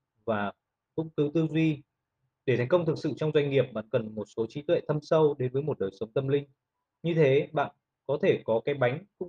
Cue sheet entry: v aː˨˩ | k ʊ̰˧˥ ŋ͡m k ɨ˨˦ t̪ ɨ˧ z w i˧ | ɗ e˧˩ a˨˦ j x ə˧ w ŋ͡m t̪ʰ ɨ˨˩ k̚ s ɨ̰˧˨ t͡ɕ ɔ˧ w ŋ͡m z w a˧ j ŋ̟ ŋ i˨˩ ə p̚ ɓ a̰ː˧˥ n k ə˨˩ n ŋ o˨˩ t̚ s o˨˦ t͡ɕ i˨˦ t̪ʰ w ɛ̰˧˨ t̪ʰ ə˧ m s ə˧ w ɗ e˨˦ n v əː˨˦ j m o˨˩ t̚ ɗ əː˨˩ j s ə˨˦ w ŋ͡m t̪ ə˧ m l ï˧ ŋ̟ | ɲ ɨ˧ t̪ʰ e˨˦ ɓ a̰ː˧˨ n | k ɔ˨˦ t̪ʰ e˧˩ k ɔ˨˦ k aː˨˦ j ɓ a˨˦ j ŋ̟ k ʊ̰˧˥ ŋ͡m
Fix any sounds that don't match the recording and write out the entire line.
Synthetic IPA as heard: v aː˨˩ | k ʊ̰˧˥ ŋ͡m k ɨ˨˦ t̪ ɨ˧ z w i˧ | ɗ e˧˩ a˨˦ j k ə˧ w ŋ͡m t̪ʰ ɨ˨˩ k̚ s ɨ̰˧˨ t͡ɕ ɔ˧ w ŋ͡m z w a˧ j ŋ̟ ŋ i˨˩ ə p̚ ɓ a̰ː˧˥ n k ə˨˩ n m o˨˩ t̚ s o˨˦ t͡ɕ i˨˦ t̪ w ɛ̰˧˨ t̪ʰ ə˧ m s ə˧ w ɗ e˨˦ n v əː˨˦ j m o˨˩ t̚ ɗ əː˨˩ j s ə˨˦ w ŋ͡m t̪ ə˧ m l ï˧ ŋ̟ | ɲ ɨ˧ t̪ʰ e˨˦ ɓ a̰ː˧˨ n | k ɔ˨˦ t̪ʰ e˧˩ k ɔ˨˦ k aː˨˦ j ɓ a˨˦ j ŋ̟ k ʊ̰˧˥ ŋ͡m